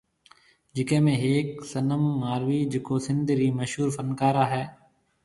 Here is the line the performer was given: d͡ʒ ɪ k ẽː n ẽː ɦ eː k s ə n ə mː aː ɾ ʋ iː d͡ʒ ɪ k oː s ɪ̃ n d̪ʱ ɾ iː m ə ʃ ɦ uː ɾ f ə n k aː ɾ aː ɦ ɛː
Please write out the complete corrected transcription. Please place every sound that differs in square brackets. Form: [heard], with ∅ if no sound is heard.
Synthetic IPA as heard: d͡ʒ ɪ k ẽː [m] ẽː ɦ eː k s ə n ə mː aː ɾ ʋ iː d͡ʒ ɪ k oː s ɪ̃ n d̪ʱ ɾ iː m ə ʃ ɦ uː ɾ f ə n k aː ɾ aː ɦ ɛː